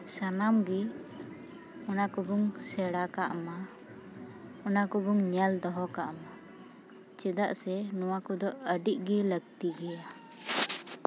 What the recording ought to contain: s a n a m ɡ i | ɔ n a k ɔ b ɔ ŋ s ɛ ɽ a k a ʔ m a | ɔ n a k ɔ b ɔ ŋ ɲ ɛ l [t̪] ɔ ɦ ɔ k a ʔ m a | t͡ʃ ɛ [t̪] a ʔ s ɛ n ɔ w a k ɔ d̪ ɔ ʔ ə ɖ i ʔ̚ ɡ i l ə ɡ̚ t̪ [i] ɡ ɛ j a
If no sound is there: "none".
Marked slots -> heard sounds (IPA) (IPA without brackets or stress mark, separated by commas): d̪, d̪, i